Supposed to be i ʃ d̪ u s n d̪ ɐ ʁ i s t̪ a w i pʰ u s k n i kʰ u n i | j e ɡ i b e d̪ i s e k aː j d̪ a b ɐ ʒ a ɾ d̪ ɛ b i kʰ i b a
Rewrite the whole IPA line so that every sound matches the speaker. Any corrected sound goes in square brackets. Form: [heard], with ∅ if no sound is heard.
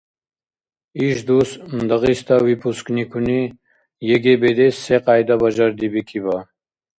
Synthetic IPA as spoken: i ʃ d̪ u s n d̪ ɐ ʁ i s t̪ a w i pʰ u s k n i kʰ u n i | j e ɡ [e] b e d̪ [e] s e [q] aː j d̪ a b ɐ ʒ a ɾ d̪ [i] b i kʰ i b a

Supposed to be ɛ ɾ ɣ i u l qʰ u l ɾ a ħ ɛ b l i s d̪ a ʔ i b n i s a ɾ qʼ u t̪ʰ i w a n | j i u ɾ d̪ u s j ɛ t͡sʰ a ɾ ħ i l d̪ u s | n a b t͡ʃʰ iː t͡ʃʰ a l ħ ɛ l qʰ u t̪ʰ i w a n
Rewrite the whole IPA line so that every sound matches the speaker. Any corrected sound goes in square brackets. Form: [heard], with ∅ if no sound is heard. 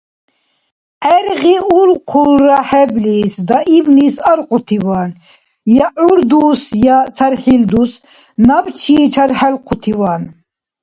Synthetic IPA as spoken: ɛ ɾ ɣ i u l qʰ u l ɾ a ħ ɛ b l i s d̪ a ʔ i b n i s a ɾ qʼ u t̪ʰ i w a n | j [a] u ɾ d̪ u s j [a] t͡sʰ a ɾ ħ i l d̪ u s | n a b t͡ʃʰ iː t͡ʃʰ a [ɾ] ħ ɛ l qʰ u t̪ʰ i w a n

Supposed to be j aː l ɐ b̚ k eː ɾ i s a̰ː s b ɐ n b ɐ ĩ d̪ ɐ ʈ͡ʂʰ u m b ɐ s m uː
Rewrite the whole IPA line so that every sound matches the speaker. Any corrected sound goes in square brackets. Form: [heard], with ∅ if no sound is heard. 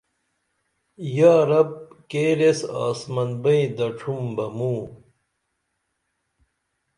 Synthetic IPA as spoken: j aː [ɾ] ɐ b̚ k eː ɾ [e] s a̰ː s [m] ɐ n b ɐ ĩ d̪ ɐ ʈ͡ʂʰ u m b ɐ [∅] m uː

